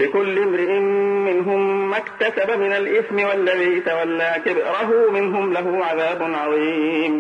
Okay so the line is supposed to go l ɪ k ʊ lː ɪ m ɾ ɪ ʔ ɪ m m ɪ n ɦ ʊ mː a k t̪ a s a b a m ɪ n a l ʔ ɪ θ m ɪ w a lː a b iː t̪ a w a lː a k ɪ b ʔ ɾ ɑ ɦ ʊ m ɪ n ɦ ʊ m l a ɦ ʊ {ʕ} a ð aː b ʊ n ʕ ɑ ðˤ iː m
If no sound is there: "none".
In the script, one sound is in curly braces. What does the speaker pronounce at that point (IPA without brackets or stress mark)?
ʕ